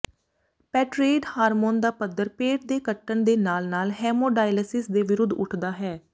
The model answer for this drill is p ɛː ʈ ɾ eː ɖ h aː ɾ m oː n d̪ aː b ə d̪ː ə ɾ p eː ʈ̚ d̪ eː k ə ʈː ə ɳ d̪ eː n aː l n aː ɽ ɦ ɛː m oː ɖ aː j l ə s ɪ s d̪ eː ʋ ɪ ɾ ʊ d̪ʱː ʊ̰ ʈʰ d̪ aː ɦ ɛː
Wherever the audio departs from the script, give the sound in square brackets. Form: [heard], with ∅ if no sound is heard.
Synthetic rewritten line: p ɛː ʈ ɾ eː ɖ h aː ɾ m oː n d̪ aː [p] ə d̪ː ə ɾ p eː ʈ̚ d̪ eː k ə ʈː ə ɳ d̪ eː n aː l n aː [l] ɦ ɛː m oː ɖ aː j l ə s ɪ s d̪ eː ʋ ɪ ɾ ʊ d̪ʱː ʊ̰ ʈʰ d̪ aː ɦ ɛː